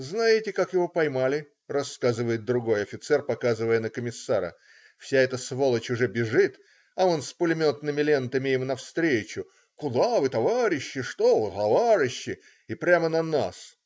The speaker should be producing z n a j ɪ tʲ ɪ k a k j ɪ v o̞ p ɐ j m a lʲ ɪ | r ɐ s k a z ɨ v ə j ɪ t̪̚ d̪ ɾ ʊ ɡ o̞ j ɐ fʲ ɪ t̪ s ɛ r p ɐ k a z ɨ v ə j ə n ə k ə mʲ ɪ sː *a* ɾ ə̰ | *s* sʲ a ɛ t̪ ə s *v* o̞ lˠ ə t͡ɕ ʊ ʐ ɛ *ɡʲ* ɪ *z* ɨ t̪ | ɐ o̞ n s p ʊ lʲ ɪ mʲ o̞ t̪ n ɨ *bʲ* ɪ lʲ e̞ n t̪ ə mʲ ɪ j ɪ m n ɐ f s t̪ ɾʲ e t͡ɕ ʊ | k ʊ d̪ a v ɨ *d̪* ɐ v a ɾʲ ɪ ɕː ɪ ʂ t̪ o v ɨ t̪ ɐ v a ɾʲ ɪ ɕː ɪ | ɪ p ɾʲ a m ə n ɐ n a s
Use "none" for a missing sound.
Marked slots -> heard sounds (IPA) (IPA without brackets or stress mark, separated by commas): a, f, v, bʲ, ʐ, mʲ, t̪